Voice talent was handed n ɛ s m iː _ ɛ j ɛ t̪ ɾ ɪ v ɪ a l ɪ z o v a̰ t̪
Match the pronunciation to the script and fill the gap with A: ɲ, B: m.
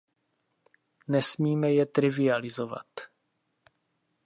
B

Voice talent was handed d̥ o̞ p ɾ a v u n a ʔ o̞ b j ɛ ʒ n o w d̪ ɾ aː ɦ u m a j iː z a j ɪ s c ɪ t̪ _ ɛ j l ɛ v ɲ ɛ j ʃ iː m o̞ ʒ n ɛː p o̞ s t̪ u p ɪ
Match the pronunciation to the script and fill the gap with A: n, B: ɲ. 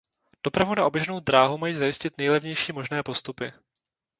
A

